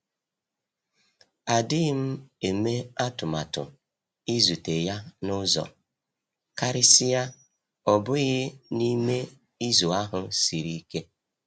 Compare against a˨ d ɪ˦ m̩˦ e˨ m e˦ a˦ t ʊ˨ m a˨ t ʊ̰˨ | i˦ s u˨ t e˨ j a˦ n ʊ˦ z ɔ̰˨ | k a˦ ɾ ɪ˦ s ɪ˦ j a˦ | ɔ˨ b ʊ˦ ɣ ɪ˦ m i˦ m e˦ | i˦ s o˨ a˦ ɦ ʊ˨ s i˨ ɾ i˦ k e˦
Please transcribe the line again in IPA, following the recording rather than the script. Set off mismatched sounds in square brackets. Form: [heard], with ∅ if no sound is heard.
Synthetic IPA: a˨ d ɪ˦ m̩˦ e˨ m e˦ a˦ t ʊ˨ m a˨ t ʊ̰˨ | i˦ [z] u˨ t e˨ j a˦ n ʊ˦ z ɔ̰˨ | k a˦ ɾ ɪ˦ s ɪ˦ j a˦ | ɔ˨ b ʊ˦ ɣ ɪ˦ [n] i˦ m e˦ | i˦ [z] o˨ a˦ ɦ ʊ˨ s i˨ ɾ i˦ k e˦